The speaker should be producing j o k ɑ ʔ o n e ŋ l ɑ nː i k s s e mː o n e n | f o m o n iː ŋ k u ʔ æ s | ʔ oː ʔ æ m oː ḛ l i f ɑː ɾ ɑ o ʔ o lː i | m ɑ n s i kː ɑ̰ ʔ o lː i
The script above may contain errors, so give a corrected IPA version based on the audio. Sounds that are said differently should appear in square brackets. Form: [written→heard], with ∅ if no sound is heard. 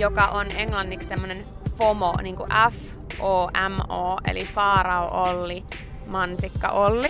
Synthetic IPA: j o k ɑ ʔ o n e ŋ l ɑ nː i k s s e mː o n e n | f o m o n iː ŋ k u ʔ æ [s→f] | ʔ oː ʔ æ m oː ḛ l i f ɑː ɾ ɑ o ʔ o lː i | m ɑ n s i kː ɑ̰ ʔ o lː i